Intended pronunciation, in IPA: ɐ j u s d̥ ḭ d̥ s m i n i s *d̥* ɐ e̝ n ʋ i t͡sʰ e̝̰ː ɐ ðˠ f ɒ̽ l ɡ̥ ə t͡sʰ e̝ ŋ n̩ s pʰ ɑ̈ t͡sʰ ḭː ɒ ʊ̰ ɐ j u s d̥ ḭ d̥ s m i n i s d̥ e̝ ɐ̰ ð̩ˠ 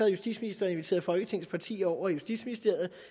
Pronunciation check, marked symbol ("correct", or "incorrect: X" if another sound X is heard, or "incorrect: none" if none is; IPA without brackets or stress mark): correct